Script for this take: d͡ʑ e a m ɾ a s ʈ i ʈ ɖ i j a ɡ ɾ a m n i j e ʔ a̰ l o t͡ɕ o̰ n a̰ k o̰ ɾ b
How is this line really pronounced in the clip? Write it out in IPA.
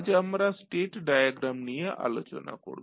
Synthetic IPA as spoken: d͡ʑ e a m ɾ a s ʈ e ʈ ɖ a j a ɡ ɾ a m n i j e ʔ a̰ l o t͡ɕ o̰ n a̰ k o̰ ɾ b